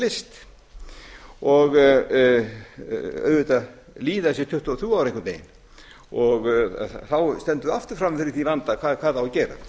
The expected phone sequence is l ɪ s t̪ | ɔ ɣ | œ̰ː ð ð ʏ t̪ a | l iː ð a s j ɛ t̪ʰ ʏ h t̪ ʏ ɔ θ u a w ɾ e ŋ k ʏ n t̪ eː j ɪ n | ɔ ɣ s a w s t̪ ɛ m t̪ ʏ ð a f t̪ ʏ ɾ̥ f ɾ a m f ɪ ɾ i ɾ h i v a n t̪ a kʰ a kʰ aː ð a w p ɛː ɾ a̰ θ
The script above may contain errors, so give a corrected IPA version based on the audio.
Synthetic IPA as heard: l ɪ s t̪ | ɔ ɣ | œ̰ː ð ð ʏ t̪ a | l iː ð a s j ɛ t̪ʰ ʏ h t̪ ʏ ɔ θ u a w ɾ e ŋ k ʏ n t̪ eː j ɪ n | ɔ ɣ θ a w s t̪ ɛ n t̪ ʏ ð a f t̪ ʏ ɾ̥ f ɾ a m f ɪ ɾ ɪ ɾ θ i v a n t̪ a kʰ a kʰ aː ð a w c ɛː ɾ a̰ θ